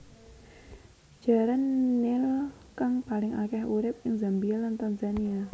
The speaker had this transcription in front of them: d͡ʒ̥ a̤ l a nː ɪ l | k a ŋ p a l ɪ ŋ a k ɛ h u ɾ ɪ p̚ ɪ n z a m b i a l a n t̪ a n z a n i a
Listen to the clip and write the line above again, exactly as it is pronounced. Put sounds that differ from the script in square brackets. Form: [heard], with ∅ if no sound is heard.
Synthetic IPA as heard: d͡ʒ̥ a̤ [ɾ] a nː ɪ l | k a ŋ p a l ɪ ŋ a k ɛ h u ɾ ɪ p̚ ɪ [ŋ] z a m b i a l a n t̪ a n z a n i a

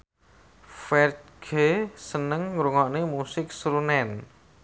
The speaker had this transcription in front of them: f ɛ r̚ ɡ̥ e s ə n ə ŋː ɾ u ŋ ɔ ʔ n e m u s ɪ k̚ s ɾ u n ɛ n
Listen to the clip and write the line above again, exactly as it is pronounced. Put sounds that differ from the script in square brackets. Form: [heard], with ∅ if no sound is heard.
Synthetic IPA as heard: f ɛ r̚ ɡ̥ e s ə n ə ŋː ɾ u ŋ ɔ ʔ n e m u s ɪ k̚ s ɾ u n ɛ n

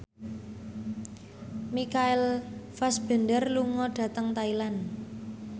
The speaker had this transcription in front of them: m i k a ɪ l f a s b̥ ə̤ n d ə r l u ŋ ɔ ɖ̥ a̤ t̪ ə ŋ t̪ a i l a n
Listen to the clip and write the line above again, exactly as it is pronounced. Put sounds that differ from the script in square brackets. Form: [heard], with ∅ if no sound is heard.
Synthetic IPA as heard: m i k a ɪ l f a s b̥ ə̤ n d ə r l u ŋ ɔ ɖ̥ a̤ t̪ ə ŋ t̪ a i l a n

